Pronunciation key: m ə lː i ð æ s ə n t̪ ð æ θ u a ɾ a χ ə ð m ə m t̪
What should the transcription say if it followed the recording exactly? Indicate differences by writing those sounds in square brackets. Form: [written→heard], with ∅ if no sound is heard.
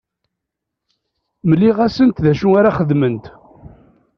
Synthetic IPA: m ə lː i [ð→ʁ] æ s ə n t̪ ð æ [θ→ʃ] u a ɾ a χ ə ð m ə [m→n] t̪